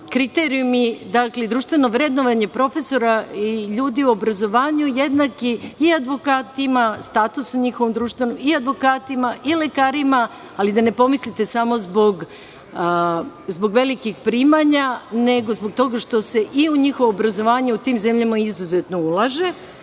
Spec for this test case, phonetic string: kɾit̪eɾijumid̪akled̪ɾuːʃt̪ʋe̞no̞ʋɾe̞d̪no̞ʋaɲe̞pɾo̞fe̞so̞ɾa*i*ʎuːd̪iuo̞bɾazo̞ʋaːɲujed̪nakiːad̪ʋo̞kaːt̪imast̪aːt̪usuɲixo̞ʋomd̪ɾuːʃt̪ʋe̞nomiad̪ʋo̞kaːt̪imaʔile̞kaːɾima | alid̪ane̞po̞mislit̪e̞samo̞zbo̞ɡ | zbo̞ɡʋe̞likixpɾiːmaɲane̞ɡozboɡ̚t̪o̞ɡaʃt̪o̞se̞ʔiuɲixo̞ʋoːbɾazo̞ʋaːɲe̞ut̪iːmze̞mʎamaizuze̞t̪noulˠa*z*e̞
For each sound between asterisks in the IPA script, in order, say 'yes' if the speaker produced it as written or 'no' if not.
yes, no

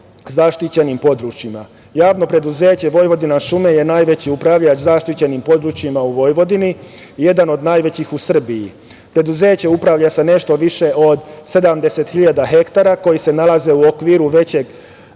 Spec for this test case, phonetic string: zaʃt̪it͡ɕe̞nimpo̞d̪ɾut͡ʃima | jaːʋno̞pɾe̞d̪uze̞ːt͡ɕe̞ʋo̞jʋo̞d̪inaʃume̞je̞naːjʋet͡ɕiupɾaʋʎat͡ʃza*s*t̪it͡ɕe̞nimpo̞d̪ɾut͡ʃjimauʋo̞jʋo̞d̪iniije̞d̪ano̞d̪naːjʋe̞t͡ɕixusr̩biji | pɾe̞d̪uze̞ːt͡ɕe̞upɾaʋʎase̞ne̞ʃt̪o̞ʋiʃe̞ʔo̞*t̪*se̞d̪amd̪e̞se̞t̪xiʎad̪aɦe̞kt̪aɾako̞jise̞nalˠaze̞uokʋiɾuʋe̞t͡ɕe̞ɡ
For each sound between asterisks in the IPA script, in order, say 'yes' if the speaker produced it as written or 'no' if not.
no, no

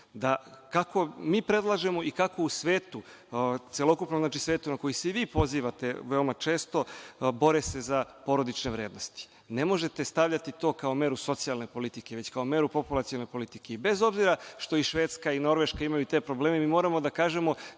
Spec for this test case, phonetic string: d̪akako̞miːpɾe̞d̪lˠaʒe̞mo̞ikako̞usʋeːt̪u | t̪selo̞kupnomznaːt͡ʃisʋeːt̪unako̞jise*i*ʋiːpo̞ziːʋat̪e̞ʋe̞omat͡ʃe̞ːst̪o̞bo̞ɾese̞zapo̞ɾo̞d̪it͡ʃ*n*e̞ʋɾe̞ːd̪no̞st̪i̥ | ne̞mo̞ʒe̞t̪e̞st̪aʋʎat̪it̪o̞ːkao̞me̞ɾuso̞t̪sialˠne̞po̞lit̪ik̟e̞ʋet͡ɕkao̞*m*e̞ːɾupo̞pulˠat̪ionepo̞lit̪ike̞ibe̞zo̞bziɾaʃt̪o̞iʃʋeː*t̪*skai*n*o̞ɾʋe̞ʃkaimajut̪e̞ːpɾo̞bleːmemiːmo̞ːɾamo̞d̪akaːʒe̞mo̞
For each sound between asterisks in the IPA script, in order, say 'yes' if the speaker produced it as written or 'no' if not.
yes, yes, yes, yes, yes

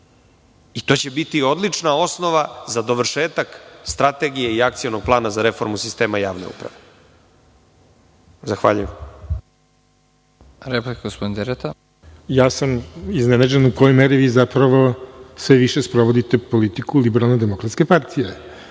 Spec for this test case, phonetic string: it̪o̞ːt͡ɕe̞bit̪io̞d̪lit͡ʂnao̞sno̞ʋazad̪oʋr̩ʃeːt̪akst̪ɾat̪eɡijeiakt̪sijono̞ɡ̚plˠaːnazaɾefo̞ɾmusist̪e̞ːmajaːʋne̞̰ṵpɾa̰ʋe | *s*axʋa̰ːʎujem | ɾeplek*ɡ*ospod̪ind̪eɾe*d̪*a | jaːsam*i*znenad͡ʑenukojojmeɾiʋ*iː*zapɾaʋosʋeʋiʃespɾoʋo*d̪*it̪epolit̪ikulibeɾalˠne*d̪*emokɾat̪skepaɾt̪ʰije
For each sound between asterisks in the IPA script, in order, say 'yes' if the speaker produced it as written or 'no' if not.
no, yes, no, yes, yes, yes, yes

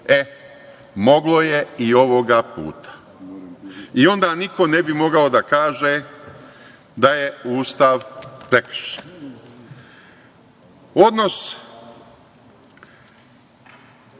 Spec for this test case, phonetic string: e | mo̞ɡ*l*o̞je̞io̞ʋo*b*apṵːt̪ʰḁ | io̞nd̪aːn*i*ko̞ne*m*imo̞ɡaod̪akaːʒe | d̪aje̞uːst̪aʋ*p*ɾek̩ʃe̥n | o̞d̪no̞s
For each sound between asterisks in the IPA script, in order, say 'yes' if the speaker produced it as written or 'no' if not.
yes, no, yes, no, yes

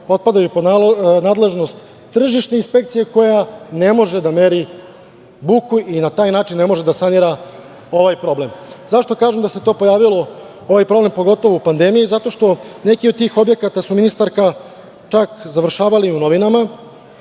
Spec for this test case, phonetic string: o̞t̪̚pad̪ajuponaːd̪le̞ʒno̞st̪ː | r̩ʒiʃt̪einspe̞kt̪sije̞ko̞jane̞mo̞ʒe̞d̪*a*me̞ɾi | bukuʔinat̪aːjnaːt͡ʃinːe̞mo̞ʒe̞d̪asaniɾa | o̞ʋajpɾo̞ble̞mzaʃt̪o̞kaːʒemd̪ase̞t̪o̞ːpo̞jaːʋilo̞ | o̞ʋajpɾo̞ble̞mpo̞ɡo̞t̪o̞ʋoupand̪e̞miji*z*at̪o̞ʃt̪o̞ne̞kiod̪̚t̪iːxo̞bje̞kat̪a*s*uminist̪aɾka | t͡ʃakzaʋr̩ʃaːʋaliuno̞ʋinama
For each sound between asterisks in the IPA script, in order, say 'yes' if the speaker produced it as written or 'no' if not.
yes, yes, yes

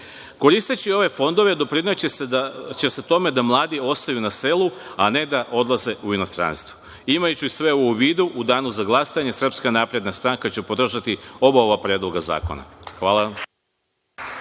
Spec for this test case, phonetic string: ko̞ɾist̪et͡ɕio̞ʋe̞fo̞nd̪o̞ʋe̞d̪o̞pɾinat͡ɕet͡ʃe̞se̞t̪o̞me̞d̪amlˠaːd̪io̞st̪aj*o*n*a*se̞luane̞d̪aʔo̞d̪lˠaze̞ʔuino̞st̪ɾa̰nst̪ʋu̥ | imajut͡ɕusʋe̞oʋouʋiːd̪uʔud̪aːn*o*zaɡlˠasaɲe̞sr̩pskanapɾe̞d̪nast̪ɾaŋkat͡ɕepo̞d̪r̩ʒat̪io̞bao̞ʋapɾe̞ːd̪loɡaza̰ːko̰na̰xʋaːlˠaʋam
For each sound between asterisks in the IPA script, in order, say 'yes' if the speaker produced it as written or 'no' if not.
no, yes, no

